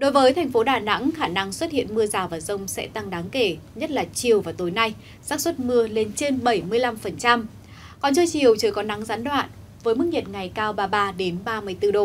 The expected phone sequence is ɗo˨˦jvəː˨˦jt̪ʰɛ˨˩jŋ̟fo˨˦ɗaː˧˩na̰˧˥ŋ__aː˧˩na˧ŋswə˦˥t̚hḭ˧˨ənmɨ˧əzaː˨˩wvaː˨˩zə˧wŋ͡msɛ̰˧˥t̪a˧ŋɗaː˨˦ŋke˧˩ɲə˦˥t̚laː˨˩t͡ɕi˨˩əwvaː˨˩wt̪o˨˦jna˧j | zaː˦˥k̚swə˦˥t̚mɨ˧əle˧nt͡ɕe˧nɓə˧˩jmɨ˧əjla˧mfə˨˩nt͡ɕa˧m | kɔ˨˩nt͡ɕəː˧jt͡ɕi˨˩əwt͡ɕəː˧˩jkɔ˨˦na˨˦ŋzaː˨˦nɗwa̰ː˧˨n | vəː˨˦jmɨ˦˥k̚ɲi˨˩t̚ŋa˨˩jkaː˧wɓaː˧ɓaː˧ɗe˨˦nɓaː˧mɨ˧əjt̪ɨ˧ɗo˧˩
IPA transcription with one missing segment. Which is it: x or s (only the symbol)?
x